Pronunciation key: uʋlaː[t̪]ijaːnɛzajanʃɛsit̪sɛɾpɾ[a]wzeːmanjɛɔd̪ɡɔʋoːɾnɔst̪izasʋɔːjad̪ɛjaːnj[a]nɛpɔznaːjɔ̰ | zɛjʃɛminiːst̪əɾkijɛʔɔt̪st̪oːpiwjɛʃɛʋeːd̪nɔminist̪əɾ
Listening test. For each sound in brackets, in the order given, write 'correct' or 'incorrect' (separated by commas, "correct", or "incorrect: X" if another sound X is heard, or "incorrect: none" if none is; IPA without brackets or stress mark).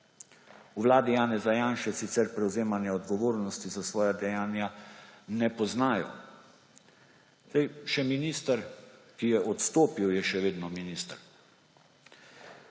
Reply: incorrect: d̪, incorrect: ɛ, correct